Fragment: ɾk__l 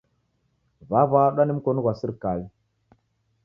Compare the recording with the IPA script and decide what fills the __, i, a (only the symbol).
a